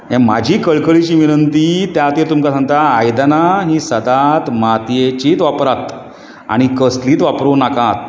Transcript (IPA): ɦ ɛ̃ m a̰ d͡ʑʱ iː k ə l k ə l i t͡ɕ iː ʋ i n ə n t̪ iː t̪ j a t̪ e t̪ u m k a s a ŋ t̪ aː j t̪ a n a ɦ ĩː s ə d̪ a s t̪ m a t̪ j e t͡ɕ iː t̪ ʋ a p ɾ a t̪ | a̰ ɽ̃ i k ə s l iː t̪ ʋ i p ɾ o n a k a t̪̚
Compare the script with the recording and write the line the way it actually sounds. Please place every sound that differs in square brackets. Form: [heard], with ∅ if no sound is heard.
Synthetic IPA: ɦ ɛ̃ m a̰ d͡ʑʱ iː k ə [ɭ] k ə [ɭ] i t͡ɕ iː ʋ i n ə n t̪ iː t̪ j a t̪ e t̪ u m k a s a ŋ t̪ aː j [d̪] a n a ɦ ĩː s ə d̪ a [∅] t̪ m a t̪ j e t͡ɕ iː t̪ ʋ a p ɾ a t̪ | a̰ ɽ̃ i k ə s l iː t̪ ʋ [a] p ɾ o n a k a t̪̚